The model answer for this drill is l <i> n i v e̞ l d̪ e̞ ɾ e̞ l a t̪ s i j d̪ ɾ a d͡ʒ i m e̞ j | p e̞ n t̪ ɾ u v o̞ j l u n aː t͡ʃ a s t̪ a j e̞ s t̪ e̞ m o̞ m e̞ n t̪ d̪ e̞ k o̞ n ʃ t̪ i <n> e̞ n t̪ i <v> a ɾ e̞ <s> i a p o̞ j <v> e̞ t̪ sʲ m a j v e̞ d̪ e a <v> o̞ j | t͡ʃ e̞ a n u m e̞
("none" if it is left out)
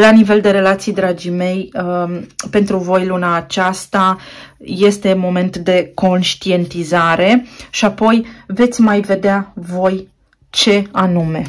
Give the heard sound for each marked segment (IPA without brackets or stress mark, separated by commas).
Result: a, none, z, ʃ, v, v